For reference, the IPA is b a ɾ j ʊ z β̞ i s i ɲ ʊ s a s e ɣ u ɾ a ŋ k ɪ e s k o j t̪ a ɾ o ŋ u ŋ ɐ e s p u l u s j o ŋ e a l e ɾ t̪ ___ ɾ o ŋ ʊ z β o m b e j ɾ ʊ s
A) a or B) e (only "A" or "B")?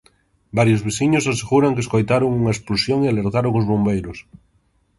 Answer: A